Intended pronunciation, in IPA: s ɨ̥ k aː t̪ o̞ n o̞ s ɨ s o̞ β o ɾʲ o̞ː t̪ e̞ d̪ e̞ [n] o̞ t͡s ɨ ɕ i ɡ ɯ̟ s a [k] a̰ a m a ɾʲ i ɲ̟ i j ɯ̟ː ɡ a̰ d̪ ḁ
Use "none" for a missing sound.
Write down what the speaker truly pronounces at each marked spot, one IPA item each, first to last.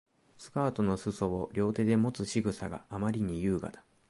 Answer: m, ɡ

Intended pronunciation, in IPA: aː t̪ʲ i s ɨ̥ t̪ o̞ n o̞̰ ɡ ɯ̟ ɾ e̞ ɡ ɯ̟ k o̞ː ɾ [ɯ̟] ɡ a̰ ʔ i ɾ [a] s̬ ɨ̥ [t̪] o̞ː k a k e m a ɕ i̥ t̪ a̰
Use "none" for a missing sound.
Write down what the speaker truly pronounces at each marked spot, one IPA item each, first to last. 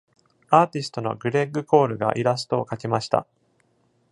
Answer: ɯ̟, a, t̪

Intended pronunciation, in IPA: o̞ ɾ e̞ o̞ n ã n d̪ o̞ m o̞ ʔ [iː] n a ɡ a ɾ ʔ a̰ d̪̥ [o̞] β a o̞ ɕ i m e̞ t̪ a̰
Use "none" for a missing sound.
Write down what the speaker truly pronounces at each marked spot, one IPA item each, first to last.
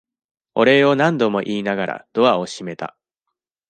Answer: iː, o̞

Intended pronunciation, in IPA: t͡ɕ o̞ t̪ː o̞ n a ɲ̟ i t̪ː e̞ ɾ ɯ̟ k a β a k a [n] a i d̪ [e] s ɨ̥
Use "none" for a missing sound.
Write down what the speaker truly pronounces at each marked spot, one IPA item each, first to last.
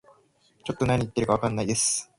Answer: nː, e

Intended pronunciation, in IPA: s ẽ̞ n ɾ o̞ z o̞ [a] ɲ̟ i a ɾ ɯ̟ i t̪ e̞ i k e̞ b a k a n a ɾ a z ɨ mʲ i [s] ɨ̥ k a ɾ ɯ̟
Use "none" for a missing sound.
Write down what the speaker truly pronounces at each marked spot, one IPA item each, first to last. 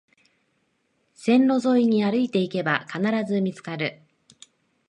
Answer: i, t͡s

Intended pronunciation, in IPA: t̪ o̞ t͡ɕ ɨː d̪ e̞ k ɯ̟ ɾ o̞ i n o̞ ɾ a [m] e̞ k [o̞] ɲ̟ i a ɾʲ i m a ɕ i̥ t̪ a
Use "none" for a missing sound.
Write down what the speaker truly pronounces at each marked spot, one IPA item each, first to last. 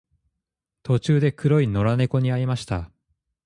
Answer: n, o̞

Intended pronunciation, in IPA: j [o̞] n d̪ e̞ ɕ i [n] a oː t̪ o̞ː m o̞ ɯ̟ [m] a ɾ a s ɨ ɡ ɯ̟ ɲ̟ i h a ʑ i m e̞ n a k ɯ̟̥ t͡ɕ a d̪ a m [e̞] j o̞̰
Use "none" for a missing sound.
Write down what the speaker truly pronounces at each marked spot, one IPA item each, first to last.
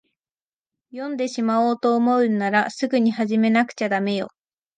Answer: õ̞, m, n, e̞

